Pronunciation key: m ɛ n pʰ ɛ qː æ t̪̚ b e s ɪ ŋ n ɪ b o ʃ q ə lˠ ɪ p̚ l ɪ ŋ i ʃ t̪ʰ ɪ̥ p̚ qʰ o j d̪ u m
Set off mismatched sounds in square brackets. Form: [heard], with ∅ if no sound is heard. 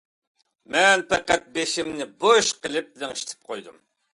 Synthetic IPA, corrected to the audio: m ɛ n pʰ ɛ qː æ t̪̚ b e [ʃ] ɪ [m] n ɪ b o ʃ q ə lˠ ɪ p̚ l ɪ ŋ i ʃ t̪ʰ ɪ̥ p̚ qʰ o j d̪ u m